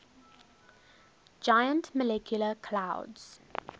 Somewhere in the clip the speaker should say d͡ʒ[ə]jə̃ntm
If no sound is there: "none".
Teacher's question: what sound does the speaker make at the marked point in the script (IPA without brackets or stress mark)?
a